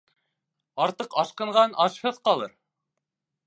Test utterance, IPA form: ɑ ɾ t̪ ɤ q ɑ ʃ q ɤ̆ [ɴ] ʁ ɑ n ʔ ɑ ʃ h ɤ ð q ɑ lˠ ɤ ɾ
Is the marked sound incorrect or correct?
correct